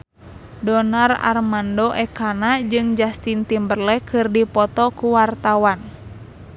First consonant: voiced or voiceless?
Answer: voiced